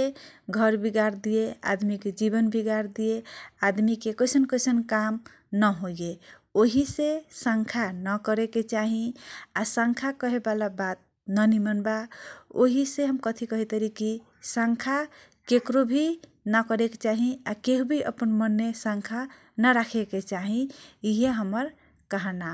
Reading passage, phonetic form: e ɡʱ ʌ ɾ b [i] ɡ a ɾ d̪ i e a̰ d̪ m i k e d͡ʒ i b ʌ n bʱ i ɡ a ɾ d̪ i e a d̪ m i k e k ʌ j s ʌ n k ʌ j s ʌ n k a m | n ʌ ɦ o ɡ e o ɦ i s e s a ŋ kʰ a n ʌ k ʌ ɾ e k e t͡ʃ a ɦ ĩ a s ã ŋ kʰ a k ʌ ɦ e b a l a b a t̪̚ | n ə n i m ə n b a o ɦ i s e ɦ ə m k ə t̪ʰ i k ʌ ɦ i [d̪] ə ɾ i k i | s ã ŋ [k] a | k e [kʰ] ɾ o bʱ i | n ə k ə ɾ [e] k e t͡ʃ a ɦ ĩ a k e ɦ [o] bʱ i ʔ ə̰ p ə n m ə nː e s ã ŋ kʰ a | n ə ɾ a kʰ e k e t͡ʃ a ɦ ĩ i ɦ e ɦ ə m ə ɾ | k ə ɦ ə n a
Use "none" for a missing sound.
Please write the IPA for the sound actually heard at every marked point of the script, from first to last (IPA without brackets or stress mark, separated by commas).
i, t̪, kʰ, k, e, u